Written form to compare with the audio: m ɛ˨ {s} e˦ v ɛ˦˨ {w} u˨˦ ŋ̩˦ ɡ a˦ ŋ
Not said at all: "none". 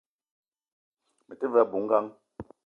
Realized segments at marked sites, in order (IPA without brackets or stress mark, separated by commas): t, b